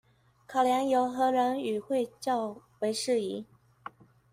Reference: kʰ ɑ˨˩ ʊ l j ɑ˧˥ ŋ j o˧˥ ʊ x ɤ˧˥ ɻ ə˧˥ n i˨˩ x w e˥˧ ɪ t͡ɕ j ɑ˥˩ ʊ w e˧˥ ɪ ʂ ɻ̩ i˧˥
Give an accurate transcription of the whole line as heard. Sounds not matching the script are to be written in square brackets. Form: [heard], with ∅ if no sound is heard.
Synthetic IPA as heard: kʰ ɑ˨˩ ʊ l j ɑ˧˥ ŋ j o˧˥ ʊ x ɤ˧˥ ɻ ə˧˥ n [y˨˩] x w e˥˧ ɪ t͡ɕ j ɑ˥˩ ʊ w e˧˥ ɪ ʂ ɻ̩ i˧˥